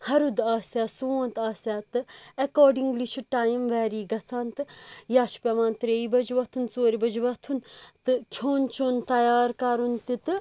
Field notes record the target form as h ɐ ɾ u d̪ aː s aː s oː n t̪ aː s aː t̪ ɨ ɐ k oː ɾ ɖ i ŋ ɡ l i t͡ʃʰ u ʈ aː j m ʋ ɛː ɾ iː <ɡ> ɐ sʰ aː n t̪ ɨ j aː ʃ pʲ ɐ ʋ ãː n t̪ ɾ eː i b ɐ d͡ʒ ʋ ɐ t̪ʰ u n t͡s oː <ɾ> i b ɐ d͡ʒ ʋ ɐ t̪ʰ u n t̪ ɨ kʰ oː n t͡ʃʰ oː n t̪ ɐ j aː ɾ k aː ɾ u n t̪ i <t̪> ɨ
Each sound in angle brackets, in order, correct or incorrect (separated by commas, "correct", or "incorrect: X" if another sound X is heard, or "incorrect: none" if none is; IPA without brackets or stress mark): correct, correct, correct